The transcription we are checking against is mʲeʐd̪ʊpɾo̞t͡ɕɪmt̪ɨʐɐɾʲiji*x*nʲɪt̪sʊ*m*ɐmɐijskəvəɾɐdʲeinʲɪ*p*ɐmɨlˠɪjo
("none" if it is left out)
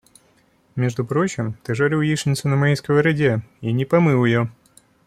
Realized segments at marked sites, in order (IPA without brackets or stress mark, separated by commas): ʂ, n, p